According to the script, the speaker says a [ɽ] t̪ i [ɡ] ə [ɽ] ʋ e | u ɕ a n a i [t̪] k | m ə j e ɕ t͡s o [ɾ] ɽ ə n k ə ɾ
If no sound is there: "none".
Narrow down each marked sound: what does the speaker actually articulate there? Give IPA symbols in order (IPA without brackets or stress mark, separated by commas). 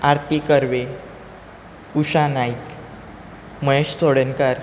ɾ, k, ɾ, none, none